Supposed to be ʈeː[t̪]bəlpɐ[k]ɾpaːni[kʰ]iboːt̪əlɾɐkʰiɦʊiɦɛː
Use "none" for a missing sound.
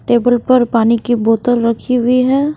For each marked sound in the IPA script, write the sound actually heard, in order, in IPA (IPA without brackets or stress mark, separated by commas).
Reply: none, none, k